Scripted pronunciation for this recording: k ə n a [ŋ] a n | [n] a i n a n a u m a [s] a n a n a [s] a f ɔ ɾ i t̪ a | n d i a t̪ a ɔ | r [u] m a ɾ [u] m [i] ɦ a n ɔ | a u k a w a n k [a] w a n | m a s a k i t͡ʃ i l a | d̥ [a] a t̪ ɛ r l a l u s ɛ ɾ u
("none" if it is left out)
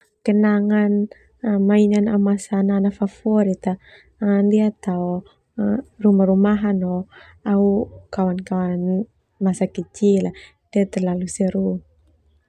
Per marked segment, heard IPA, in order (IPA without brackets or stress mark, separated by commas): ŋ, m, s, f, u, u, a, a, i